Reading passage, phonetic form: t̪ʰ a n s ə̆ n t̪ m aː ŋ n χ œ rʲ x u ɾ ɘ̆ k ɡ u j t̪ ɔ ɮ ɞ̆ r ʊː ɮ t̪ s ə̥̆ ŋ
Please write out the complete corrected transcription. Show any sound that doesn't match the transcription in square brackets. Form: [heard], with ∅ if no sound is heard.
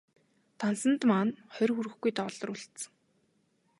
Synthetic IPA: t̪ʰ a n s ə̆ n t̪ m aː [∅] n χ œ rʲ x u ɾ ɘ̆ [x] ɡ u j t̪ ɔ ɮ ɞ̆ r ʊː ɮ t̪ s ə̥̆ ŋ